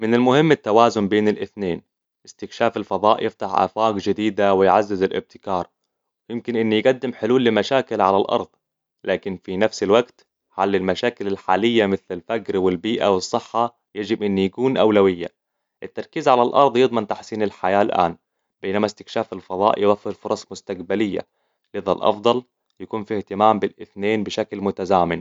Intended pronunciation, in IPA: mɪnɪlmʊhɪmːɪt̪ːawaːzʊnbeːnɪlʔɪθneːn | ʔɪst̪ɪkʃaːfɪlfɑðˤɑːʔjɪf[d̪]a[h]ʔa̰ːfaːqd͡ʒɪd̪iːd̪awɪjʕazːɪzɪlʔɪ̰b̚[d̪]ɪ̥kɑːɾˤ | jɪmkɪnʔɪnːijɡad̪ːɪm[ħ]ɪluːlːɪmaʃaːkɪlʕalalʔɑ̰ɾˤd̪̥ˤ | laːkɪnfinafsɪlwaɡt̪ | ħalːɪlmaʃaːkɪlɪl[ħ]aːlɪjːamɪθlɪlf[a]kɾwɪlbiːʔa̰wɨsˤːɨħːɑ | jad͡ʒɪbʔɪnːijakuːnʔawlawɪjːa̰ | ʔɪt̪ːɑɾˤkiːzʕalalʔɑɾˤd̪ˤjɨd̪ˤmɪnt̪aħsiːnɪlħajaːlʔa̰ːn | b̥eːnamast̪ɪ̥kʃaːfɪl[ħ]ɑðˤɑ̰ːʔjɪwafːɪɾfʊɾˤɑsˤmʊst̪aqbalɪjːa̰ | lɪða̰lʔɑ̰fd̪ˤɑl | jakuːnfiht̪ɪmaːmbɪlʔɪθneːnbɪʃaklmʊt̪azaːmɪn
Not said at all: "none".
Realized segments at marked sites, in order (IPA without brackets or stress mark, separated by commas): t̪, ħ, t̪, ħ, ħ, a, f